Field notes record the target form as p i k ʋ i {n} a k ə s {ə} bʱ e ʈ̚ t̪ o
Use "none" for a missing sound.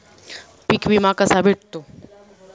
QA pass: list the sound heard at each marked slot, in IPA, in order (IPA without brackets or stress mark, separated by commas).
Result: m, a